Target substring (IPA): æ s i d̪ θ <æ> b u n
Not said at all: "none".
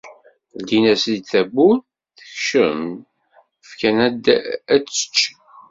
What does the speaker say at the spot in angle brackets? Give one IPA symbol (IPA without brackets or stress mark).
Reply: æ